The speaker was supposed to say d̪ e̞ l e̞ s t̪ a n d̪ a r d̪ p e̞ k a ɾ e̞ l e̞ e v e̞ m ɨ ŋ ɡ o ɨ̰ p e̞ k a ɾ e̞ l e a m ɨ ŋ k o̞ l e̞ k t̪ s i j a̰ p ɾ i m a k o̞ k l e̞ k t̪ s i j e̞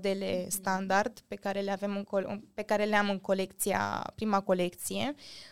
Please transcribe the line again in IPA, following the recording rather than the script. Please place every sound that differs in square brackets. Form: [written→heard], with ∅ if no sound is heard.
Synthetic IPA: d̪ e̞ l e̞ s t̪ a n d̪ a r d̪ p e̞ k a ɾ e̞ l e̞ [e→a] v e̞ m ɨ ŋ [ɡ→k] o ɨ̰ p e̞ k a ɾ e̞ l e a m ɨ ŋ k o̞ l e̞ k t̪ s i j a̰ p ɾ i m a k o̞ [k→∅] l e̞ k t̪ s i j e̞